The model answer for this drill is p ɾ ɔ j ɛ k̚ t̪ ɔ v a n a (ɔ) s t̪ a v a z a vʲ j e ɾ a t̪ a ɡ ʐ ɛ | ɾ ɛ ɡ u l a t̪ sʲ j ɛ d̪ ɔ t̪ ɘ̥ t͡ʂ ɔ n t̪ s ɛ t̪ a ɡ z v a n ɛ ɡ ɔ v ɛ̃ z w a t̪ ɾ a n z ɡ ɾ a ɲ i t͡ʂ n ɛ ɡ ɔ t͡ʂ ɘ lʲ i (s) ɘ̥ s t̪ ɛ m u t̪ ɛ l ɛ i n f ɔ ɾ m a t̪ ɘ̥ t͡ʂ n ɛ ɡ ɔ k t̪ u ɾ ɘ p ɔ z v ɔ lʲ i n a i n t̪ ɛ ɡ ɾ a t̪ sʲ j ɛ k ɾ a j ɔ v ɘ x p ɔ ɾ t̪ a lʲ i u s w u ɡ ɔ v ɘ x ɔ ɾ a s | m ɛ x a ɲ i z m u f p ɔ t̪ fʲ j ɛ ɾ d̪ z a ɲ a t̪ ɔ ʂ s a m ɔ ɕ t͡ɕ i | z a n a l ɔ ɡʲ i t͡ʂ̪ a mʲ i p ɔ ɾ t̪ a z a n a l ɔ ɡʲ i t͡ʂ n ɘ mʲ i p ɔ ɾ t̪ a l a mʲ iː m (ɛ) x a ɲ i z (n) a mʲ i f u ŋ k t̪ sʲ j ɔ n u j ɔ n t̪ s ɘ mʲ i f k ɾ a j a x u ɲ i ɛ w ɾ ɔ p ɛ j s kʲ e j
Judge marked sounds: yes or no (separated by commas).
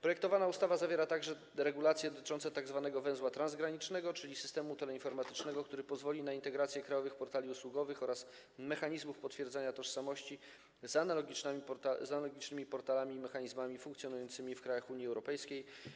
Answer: no, yes, yes, no